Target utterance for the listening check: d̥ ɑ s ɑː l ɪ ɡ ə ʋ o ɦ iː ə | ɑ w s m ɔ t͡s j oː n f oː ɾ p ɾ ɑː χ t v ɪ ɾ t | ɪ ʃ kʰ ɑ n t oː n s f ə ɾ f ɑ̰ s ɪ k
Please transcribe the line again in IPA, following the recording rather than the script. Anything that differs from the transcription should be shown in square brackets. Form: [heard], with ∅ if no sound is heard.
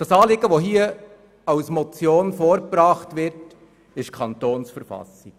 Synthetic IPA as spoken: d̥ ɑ s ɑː l ɪ ɡ ə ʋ o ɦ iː ə | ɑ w s m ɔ t͡s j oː n f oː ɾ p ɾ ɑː χ t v ɪ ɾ t | ɪ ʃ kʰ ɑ n t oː n s f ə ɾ f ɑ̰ s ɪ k